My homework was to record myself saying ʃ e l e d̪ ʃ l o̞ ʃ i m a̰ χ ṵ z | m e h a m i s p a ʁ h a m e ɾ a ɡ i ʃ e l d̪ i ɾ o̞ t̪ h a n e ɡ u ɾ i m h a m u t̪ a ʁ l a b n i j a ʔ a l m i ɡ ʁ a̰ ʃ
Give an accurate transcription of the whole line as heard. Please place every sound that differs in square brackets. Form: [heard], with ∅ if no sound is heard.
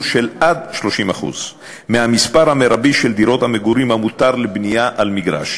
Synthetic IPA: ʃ e l [a] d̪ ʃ l o̞ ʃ i m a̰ χ ṵ z | m e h a m i s p a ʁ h a m e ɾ a [b] i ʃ e l d̪ i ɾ o̞ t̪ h a [m] e ɡ u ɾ i m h a m u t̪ a ʁ l [e] b n i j a ʔ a l m i ɡ ʁ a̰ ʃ